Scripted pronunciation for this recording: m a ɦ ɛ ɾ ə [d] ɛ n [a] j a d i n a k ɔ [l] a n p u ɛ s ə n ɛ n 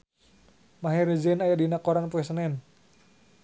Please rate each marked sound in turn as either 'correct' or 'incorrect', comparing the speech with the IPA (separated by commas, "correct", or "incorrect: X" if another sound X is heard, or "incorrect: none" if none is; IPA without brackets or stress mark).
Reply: incorrect: d͡ʒ, correct, incorrect: ɾ